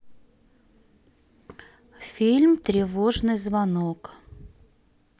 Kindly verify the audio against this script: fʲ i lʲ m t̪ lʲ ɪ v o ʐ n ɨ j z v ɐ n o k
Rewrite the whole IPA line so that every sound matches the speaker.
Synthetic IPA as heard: fʲ i lʲ m t̪ ɾʲ ɪ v o ʐ n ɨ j z v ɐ n o k